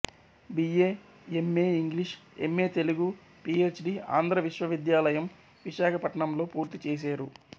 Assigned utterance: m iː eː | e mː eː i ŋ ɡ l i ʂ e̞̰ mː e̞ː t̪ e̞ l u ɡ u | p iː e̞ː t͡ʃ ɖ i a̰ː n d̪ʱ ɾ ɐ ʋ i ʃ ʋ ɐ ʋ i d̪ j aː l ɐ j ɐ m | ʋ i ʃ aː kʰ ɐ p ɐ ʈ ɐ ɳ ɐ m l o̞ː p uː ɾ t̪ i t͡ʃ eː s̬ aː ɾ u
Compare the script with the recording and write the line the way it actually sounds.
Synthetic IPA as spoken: b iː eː | e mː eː i ŋ ɡ l i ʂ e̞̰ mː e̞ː t̪ e̞ l u ɡ u | p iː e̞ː t͡ʃ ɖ i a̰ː n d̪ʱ ɾ ɐ ʋ i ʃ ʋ ɐ ʋ i d̪ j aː l ɐ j ɐ m | ʋ i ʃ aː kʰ ɐ p ɐ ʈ ɐ ɳ ɐ m l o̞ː p uː ɾ t̪ i t͡ʃ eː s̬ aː ɾ u